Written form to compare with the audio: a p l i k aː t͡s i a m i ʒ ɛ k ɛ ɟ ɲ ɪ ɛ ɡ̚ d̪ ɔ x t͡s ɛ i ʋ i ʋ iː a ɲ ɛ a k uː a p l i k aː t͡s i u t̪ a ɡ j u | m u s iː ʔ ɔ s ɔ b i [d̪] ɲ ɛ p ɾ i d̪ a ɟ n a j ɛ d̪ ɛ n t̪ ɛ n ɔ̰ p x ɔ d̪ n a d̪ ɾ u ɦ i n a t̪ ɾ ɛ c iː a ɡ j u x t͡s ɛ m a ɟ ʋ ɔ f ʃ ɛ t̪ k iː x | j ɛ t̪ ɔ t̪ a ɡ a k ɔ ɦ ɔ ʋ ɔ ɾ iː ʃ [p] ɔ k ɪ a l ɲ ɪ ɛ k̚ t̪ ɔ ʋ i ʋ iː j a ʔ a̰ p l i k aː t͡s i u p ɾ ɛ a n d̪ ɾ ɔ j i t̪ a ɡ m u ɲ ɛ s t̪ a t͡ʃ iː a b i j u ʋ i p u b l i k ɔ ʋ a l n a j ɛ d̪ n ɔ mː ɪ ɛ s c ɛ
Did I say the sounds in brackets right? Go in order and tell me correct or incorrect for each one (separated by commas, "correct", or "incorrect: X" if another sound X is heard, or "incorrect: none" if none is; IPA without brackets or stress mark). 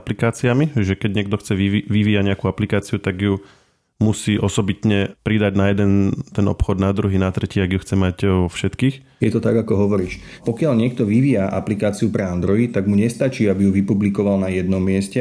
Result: incorrect: t̪, correct